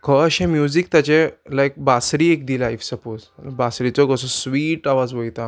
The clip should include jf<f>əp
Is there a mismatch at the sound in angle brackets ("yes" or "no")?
yes